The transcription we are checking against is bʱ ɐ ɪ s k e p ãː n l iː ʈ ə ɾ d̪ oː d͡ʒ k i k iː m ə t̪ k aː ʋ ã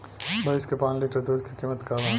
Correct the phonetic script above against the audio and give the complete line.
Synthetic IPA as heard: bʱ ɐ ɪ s k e p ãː n l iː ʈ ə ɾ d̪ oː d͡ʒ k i k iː m ə t̪ k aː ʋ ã